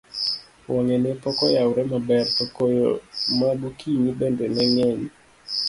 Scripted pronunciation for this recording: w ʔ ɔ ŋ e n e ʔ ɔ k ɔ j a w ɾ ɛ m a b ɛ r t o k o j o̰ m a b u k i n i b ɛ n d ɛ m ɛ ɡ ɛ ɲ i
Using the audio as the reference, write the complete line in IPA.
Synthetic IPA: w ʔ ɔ ŋ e n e p ɔ k ɔ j a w ɾ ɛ m a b ɛ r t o k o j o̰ m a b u k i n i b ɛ n d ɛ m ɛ ŋ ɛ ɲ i